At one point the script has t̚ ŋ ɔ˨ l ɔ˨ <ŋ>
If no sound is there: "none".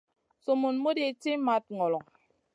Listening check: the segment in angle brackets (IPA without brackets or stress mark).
ŋ